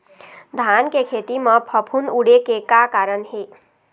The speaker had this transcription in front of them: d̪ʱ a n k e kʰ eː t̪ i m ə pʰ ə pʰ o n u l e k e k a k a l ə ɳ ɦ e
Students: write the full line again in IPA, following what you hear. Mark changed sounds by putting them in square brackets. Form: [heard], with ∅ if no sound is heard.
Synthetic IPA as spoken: d̪ʱ a n k e kʰ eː t̪ i m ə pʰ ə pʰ [u] n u [ɽ] e k e k a k a [ɾ] ə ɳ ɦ e